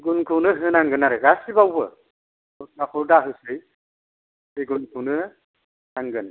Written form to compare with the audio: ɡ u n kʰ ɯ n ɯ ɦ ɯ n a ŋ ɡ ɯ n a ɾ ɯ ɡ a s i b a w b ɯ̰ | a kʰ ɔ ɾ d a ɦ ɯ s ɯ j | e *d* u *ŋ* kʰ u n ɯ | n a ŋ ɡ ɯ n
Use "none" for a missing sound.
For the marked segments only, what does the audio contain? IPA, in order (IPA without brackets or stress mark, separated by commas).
ɡ, n